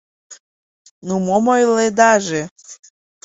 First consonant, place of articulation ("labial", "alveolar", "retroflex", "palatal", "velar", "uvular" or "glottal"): alveolar